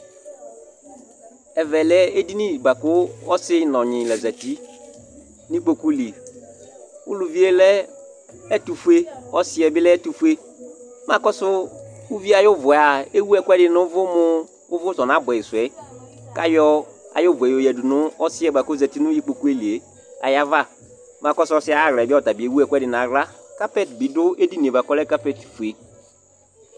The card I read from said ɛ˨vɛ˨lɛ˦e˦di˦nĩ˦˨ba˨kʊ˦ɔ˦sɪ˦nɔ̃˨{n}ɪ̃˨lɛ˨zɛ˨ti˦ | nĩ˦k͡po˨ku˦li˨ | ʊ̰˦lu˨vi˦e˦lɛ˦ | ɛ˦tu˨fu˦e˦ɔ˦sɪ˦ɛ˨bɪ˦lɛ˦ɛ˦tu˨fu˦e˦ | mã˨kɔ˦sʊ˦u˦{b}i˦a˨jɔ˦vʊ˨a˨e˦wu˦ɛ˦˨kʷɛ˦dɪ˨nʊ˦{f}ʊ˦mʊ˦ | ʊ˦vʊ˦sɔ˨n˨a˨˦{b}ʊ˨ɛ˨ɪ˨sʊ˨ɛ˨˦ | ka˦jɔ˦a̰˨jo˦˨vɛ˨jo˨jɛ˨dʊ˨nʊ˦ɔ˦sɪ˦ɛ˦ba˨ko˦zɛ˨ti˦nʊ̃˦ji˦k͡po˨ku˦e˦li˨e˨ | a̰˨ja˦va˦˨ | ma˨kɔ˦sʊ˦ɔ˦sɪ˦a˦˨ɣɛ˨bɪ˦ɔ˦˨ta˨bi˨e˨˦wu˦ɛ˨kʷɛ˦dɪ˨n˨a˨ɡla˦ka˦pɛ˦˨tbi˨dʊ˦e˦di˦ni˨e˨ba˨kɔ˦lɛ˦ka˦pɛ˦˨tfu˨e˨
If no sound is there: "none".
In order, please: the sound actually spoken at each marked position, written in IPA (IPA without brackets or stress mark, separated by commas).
ɲ, v, v, b